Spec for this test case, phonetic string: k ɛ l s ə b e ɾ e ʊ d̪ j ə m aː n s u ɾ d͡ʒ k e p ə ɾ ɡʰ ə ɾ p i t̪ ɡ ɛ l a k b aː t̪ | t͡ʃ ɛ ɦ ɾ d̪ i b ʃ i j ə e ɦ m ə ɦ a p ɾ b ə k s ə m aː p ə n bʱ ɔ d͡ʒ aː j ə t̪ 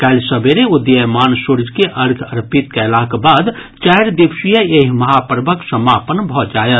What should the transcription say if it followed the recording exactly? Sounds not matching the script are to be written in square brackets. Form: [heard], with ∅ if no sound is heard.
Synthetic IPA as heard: k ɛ l s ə b e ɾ e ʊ d̪ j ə m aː n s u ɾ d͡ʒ k e [ʔ] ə ɾ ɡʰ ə ɾ p i t̪ [k] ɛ l a k b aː [d̪] | t͡ʃ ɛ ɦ ɾ d̪ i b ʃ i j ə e ɦ m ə ɦ a p ɾ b ə k s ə m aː p ə n bʱ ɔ d͡ʒ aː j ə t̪